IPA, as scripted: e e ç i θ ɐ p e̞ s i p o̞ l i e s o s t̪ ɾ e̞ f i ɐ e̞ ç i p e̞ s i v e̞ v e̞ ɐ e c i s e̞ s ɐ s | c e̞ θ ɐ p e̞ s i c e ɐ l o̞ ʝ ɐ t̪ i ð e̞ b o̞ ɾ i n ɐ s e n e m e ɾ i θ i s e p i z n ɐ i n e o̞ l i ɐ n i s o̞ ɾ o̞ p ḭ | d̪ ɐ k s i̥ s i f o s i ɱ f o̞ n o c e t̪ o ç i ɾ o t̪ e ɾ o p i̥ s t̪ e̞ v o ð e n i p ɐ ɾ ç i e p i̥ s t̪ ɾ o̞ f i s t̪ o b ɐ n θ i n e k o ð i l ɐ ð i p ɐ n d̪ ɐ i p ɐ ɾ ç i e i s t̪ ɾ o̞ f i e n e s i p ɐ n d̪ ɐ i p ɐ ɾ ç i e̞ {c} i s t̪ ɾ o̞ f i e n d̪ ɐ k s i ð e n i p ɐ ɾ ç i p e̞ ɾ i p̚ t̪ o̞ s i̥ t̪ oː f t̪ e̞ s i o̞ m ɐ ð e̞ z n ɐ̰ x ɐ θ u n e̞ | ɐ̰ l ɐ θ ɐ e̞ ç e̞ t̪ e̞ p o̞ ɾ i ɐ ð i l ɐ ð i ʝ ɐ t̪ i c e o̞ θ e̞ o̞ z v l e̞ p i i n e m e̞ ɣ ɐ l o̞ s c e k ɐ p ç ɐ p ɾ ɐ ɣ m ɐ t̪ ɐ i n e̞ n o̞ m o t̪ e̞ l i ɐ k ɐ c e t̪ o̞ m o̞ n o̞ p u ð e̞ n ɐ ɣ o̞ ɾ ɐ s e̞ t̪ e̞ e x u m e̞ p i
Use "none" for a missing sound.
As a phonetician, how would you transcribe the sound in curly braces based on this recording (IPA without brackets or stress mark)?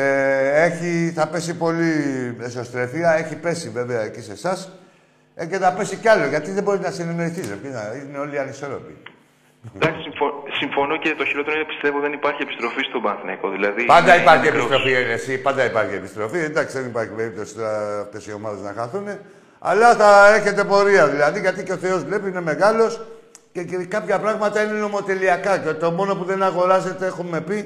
p